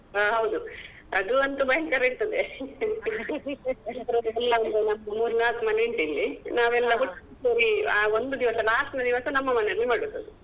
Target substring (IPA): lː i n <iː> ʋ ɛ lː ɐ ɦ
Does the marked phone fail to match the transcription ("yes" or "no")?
yes